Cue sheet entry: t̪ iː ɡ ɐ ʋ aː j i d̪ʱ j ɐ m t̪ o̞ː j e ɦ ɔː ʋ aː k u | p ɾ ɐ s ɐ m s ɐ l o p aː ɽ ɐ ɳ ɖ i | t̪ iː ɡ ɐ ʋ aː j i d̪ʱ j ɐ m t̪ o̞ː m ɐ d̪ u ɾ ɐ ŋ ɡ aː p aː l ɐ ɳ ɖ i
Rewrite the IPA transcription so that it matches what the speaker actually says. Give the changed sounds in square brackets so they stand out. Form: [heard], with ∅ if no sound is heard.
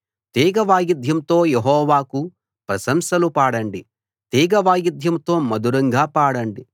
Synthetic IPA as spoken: t̪ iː ɡ ɐ ʋ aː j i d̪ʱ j ɐ m t̪ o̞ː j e ɦ ɔː ʋ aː k u | p ɾ ɐ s ɐ m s ɐ l [u] p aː ɽ ɐ ɳ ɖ i | t̪ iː ɡ ɐ ʋ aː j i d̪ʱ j ɐ m t̪ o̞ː m ɐ d̪ u ɾ ɐ ŋ ɡ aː p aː [ɽ] ɐ ɳ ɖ i